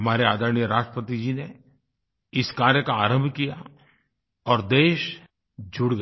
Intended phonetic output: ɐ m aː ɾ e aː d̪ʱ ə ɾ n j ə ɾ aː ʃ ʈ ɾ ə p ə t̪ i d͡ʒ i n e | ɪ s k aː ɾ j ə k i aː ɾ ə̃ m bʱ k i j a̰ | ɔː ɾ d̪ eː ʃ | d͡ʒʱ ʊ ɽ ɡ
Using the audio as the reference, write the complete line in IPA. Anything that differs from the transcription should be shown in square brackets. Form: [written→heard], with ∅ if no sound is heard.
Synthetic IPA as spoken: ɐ m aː ɾ e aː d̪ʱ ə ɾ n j ə ɾ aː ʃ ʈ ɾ ə p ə t̪ i d͡ʒ i n e | ɪ s k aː ɾ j ə k [i→a] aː ɾ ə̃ m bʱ k i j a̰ | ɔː ɾ d̪ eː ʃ | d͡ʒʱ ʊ ɽ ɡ